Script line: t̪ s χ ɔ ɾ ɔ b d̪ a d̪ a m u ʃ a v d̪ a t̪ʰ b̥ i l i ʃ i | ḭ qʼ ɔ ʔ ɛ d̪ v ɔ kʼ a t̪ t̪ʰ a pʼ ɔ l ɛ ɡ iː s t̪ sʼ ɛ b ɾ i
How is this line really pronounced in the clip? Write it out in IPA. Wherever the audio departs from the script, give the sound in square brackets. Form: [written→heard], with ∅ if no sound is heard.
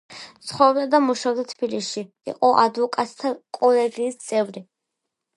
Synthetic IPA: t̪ s χ ɔ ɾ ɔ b d̪ a d̪ a m u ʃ a v d̪ a t̪ʰ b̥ i l i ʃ i | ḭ qʼ ɔ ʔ [ɛ→a] d̪ v ɔ kʼ a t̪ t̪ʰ a [pʼ→kʼ] ɔ l ɛ ɡ iː s t̪ sʼ ɛ [b→v] ɾ i